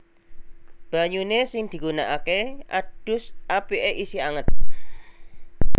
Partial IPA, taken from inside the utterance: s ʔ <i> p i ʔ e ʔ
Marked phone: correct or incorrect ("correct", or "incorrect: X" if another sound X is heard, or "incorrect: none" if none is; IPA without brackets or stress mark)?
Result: incorrect: a